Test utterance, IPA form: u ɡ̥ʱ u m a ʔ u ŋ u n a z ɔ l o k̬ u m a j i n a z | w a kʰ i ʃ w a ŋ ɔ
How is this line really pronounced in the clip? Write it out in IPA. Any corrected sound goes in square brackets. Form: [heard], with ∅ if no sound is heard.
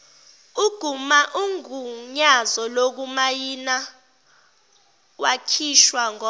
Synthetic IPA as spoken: u ɡ̥ʱ u m a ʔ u ŋ u [ɲ] a z ɔ l o k̬ u m a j i n a [∅] | w a kʰ i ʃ w a ŋ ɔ